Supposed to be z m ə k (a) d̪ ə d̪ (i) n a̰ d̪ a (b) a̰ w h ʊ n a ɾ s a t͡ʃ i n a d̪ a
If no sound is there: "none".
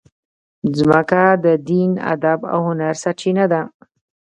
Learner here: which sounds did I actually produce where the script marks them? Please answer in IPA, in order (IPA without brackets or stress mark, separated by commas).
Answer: a, i, b